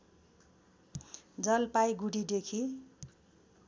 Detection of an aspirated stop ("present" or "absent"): present